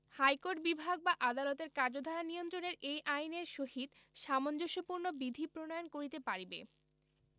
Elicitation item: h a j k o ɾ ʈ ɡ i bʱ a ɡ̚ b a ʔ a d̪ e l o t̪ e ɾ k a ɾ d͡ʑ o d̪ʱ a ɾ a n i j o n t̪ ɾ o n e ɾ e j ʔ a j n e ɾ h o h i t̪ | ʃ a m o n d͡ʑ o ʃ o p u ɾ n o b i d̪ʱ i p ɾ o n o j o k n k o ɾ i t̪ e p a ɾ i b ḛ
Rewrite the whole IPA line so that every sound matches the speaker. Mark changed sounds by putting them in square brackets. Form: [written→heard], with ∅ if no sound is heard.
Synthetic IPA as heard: h a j k o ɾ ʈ [ɡ→b] i bʱ a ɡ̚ b a ʔ a d̪ [e→a] l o t̪ e ɾ k a ɾ d͡ʑ o d̪ʱ a ɾ a n i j o n t̪ ɾ o n e ɾ e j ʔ a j n e ɾ [h→ʃ] o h i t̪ | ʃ a m o n d͡ʑ o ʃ o p u ɾ n o b i d̪ʱ i p ɾ o n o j o [k→∅] n k o ɾ i t̪ e p a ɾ i b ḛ